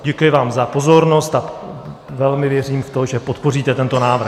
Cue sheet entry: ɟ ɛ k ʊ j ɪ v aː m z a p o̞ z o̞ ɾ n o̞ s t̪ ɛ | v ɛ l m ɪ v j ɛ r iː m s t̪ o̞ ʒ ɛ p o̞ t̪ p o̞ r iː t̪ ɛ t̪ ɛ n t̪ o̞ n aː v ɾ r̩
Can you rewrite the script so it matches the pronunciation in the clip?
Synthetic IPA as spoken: ɟ ɛ k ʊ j ɪ v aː m z a p o̞ z o̞ ɾ n o̞ s t̪ a | v ɛ l m ɪ v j ɛ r iː m f t̪ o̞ ʒ ɛ p o̞ t̪ p o̞ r iː t̪ ɛ t̪ ɛ n t̪ o̞ n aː v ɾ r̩